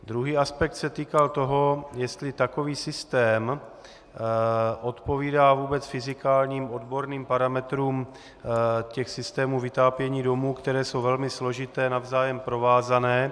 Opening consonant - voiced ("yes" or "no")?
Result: yes